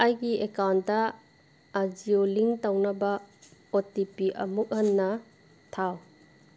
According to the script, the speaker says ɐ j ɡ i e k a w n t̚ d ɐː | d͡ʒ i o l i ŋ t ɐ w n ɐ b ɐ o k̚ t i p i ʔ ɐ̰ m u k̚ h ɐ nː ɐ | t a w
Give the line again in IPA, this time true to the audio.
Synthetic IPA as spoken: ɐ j ɡ i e k a w n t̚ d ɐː | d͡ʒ i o l i ŋ t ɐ w n ɐ b ɐ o t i p i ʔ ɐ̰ m u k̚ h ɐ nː ɐ | tʰ a w